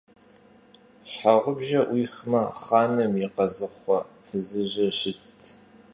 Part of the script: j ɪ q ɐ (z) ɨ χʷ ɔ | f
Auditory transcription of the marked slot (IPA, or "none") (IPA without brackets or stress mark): z